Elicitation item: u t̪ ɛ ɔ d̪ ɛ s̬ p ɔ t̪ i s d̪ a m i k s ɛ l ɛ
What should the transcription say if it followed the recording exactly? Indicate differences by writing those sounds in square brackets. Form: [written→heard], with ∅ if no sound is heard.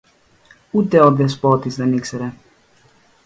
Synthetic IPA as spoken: u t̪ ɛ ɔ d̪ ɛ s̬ p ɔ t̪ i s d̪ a [m→n] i k s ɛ [l→ɾ] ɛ